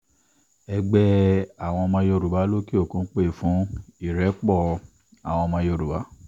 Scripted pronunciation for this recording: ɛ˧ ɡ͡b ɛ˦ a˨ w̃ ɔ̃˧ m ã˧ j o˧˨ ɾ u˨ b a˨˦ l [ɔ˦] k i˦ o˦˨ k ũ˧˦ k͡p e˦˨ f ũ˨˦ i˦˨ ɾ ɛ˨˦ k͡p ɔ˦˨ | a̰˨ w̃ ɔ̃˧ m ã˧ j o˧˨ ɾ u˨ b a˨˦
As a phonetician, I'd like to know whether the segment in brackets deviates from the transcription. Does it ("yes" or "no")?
yes